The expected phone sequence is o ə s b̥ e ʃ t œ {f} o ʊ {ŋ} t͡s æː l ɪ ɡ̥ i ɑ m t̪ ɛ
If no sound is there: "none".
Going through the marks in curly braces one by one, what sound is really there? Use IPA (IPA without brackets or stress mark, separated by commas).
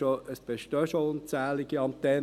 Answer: ʃ, n